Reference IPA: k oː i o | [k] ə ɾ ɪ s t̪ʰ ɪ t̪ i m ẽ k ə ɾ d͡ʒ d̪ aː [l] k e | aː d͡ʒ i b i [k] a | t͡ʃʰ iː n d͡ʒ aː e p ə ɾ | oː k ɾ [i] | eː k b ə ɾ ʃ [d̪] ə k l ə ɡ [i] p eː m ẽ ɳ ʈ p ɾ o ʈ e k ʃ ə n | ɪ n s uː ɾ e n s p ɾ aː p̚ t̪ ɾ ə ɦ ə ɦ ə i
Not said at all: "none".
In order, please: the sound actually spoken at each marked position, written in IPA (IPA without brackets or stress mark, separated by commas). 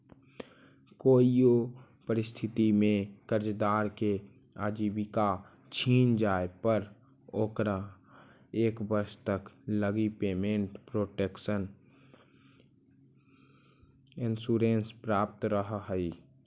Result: p, ɾ, k, a, t̪, i